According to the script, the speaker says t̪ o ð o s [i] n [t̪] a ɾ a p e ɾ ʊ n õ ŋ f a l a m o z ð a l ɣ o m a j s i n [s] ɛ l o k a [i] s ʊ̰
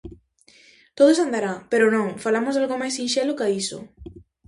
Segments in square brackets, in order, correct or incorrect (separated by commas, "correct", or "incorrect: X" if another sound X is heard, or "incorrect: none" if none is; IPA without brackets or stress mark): incorrect: a, incorrect: d̪, incorrect: ʃ, correct